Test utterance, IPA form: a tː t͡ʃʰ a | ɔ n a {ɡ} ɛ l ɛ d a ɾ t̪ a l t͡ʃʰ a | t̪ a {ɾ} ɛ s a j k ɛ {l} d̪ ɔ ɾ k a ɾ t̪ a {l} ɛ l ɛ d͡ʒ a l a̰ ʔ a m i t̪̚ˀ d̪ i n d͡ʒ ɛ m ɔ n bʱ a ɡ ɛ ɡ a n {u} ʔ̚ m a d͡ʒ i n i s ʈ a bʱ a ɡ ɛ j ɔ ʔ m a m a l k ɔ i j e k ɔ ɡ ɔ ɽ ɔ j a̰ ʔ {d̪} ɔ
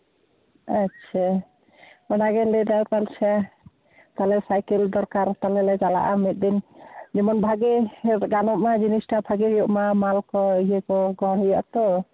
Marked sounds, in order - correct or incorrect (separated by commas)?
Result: correct, incorrect, correct, correct, incorrect, incorrect